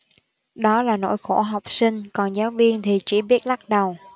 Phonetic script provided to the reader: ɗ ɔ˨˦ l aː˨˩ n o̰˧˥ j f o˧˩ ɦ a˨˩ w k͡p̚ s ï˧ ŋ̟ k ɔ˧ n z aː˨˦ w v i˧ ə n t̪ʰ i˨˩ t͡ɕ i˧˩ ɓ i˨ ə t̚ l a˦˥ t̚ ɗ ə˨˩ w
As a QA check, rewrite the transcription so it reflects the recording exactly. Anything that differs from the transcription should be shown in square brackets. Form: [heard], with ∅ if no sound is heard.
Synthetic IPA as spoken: ɗ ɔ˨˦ l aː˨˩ n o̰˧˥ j [x] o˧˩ ɦ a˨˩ w k͡p̚ s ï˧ ŋ̟ k [ɔ˨˩] n z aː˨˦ w v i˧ ə n t̪ʰ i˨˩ t͡ɕ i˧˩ ɓ [i˦˥] ə t̚ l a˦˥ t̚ ɗ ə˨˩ w